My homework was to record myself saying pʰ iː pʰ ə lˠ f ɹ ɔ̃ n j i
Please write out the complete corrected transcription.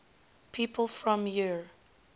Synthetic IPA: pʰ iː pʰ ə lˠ f ɹ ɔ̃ m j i